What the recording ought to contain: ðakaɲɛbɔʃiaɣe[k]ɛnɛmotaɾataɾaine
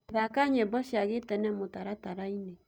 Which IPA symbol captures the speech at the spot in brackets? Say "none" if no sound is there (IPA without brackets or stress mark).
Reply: t